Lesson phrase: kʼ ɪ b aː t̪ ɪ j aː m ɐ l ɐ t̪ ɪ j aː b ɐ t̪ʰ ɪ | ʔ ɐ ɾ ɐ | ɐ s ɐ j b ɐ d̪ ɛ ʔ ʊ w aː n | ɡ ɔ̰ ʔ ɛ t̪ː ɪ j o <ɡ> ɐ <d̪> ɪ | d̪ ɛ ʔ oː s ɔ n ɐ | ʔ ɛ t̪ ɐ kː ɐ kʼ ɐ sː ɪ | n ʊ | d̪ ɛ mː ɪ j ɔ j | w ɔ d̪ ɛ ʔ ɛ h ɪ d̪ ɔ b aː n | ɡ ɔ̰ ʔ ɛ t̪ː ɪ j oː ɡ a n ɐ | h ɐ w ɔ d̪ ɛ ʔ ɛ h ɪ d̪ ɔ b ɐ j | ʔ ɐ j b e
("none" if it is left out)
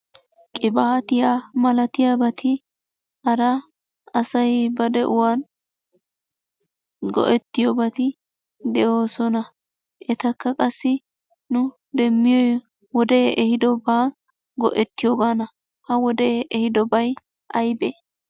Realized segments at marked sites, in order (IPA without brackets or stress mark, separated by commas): b, t̪